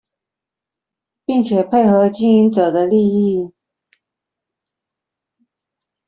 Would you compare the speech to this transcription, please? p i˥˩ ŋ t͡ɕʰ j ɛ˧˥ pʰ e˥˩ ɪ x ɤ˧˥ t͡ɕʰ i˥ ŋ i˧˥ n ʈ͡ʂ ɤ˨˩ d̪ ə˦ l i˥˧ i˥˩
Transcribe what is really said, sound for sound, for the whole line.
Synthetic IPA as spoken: p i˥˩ ŋ t͡ɕʰ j ɛ˨˩ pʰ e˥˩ ɪ x ɤ˧˥ t͡ɕ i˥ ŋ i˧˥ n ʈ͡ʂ ɤ˨˩ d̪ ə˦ l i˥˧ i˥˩